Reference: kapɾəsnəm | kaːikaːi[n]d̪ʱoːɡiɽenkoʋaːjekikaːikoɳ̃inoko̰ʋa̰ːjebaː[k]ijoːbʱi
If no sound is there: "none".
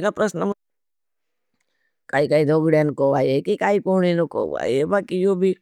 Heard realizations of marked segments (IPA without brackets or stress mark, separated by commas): none, k